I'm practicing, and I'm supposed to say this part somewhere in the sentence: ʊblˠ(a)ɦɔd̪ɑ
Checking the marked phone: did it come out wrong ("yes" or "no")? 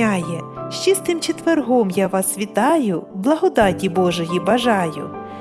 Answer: yes